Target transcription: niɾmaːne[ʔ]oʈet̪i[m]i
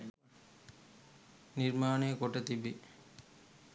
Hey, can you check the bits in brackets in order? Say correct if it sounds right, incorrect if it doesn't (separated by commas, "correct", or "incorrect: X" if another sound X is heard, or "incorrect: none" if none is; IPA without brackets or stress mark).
incorrect: k, incorrect: b